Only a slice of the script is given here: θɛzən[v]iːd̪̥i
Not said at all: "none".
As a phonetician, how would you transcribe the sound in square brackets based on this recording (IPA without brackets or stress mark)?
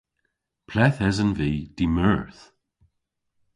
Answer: v